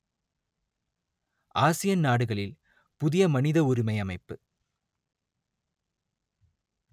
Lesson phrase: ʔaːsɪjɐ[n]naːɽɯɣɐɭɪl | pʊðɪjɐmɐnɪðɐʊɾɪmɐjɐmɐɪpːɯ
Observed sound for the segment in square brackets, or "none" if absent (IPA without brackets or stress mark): n